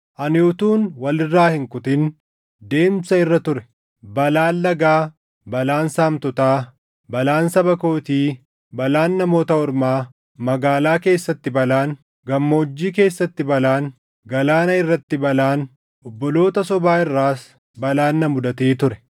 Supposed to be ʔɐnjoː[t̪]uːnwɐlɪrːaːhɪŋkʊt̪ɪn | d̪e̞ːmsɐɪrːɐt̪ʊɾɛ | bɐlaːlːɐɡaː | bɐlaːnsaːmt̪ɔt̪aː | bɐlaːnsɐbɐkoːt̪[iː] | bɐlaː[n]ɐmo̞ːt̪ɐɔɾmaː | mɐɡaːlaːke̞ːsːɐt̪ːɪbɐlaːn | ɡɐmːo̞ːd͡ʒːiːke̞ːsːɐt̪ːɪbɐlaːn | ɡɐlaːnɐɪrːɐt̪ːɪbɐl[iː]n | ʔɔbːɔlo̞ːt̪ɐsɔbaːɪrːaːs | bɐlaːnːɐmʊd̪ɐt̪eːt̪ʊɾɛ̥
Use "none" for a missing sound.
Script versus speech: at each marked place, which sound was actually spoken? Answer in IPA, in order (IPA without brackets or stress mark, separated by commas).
t̪, iː, nː, aː